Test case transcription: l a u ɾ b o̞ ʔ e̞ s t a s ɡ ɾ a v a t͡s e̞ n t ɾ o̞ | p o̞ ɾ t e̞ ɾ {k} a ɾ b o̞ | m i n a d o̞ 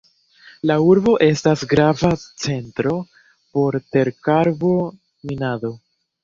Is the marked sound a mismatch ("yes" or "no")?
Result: no